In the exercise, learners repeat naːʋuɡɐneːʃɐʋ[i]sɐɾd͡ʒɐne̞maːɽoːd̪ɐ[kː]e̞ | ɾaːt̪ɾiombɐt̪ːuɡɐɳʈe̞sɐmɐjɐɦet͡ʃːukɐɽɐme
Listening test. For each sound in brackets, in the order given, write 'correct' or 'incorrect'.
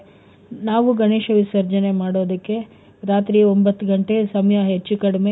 correct, correct

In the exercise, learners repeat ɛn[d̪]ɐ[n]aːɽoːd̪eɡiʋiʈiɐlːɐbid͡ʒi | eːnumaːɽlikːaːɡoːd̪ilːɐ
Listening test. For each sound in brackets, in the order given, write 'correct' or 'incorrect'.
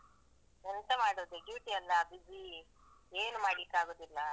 incorrect: t̪, incorrect: m

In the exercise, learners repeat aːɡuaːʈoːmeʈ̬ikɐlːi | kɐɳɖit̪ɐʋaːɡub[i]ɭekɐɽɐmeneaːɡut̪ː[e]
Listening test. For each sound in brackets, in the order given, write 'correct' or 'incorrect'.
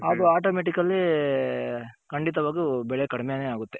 incorrect: ɛ, correct

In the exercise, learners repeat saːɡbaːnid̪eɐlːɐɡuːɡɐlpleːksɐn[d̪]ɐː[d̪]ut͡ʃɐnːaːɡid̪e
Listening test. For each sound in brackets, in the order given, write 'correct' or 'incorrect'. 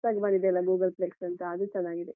incorrect: t̪, correct

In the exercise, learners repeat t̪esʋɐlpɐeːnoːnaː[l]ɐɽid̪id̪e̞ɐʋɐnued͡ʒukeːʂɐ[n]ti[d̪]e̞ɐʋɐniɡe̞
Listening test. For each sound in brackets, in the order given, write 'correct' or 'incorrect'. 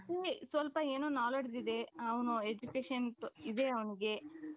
correct, correct, correct

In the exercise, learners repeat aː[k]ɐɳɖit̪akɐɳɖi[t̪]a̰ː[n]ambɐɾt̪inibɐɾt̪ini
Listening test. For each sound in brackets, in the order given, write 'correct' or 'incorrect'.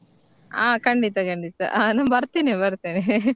correct, correct, correct

